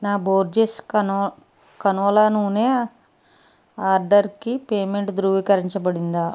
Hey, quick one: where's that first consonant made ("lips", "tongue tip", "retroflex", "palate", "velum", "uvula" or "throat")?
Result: tongue tip